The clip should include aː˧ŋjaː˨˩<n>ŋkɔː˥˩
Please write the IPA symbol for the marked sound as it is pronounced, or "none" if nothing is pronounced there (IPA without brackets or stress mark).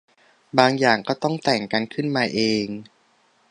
none